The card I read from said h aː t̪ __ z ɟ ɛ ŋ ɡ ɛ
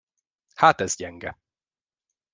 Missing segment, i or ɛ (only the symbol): ɛ